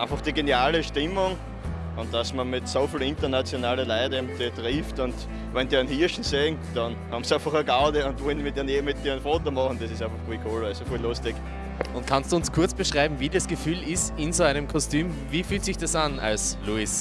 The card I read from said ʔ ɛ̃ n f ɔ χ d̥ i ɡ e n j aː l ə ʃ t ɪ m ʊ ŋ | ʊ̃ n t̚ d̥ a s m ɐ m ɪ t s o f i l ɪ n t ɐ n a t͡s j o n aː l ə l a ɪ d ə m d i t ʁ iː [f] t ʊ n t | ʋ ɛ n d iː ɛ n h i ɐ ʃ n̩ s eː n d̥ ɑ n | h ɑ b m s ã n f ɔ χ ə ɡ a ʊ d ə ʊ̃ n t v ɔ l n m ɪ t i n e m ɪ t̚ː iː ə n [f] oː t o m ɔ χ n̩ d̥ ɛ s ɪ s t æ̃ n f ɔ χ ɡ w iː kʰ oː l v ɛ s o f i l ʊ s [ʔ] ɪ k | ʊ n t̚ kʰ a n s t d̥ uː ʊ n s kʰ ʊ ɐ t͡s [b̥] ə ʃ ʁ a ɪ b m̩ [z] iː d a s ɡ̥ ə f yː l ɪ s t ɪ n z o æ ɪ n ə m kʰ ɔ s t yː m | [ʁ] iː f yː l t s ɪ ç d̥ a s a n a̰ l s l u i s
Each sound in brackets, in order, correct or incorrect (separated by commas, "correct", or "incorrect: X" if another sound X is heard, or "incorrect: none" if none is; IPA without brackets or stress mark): correct, correct, incorrect: t, correct, incorrect: v, incorrect: v